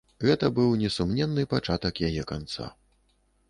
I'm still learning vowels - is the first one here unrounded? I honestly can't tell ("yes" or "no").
yes